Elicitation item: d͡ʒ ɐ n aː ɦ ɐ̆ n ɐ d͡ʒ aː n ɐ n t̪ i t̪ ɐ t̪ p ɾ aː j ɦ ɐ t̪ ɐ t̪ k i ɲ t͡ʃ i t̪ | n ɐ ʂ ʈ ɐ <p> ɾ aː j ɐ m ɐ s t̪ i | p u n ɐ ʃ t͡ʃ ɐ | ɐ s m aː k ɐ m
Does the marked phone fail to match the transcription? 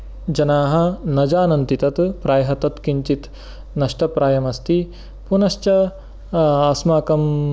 no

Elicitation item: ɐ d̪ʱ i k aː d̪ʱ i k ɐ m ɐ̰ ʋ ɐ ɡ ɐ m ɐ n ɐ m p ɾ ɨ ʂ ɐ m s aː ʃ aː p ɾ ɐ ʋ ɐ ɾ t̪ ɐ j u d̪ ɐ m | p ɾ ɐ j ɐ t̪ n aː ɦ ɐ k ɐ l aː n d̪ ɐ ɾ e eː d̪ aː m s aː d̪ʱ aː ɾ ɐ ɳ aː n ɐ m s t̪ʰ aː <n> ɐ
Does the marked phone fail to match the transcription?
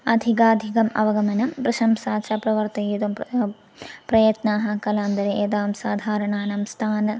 no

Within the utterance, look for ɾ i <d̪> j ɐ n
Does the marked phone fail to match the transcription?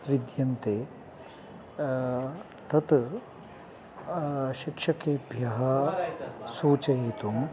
no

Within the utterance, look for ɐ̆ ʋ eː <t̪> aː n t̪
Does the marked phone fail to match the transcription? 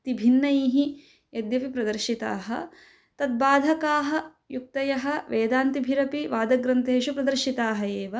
yes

